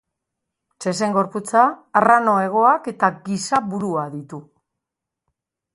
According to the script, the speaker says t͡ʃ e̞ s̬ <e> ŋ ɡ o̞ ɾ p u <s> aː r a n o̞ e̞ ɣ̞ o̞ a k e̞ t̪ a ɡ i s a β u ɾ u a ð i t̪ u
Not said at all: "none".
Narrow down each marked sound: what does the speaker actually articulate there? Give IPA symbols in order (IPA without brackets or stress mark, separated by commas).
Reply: e, t͡s